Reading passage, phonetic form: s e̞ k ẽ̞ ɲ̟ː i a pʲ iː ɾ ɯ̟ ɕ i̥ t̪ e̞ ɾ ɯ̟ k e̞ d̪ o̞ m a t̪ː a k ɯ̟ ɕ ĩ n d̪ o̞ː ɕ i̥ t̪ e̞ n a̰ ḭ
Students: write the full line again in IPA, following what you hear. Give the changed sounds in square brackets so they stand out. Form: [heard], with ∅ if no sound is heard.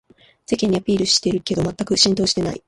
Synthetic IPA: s e̞ k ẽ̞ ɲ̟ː i a pʲ iː ɾ ɯ̟ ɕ i̥ t̪ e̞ ɾ ɯ̟ k e̞ d̪ o̞ m a t̪ː a k ɯ̟ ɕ ĩ n [t̪] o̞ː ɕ i̥ t̪ e̞ n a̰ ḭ